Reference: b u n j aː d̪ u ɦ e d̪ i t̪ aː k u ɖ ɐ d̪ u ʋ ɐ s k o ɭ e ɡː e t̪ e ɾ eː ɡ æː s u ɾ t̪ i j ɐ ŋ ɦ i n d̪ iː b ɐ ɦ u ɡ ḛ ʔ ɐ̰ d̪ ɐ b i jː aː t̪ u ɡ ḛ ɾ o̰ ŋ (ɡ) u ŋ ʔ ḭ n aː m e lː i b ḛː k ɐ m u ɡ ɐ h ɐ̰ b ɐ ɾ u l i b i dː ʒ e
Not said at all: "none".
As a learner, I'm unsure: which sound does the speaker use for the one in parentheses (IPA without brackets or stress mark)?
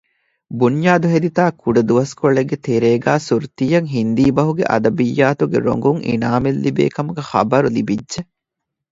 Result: ɡ